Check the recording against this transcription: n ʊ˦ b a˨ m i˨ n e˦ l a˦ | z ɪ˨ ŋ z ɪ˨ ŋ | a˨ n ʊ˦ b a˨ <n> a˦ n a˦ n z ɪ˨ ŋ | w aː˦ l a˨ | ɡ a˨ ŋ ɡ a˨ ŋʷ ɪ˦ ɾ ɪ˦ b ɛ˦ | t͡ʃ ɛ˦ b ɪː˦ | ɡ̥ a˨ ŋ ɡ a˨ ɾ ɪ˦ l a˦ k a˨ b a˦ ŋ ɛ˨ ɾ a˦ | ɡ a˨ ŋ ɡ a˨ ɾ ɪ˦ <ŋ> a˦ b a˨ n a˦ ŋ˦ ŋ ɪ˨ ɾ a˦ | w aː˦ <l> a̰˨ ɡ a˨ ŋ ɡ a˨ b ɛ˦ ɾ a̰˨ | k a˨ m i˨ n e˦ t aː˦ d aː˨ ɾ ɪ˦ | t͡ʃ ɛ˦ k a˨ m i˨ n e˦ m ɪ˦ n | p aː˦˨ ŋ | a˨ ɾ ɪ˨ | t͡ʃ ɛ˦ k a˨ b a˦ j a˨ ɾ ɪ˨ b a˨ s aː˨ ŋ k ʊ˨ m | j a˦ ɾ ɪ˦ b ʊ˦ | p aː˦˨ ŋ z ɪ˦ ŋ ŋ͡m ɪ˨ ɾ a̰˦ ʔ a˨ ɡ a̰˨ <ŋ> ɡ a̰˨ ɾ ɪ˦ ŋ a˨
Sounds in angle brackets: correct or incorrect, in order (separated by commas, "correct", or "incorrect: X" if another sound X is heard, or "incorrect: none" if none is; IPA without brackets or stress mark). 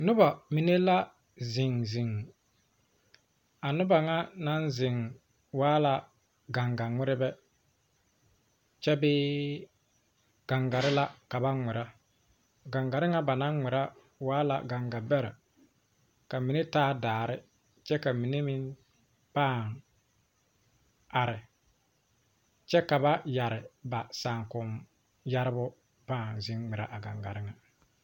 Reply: incorrect: ŋ, correct, correct, correct